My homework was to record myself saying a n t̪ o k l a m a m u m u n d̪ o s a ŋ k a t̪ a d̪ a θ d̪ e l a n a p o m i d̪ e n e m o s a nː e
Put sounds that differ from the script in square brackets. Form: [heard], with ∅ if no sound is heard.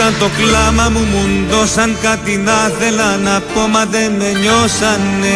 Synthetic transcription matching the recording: a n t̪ o k l a m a m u m u n d̪ o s a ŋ k a t̪ [i] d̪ a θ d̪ e l a n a p o m [a] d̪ e [m] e [ɲ] o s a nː e